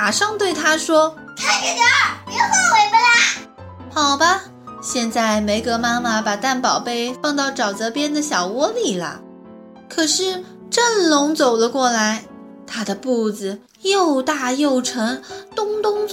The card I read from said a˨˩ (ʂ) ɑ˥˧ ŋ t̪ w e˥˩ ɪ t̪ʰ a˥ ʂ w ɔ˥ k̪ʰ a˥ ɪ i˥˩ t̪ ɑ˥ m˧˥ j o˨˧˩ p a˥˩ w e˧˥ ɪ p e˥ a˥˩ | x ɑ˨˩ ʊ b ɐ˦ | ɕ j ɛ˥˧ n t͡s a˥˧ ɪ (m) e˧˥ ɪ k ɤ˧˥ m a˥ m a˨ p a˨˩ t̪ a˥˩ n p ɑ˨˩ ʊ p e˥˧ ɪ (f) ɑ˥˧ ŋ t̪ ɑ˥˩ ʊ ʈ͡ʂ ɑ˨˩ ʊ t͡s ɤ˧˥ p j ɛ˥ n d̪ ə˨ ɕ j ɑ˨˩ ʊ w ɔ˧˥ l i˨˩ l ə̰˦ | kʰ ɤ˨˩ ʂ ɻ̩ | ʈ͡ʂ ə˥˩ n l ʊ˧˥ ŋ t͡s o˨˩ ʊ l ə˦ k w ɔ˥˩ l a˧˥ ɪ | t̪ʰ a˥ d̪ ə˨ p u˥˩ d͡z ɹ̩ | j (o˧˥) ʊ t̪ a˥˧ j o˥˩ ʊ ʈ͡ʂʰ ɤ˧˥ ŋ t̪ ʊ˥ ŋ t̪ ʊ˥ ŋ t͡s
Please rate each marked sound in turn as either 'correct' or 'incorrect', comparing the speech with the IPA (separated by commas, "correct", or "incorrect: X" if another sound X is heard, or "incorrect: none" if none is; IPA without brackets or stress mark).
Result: correct, correct, correct, incorrect: o˥˧